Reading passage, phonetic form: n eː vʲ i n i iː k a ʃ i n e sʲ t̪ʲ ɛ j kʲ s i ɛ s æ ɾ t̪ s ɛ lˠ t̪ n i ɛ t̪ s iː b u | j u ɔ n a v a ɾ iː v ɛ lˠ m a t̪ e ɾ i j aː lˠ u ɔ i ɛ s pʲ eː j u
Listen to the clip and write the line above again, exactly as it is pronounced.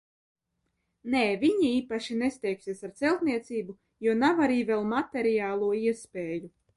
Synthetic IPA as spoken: n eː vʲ i ɲ i iː p a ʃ i n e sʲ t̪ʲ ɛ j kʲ s i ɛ s a ɾ t̪ s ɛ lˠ t̪ n i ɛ t̪ s iː b u | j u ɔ n a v a ɾ iː v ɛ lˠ m a t̪ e ɾ i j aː lˠ u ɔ i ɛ s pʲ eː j u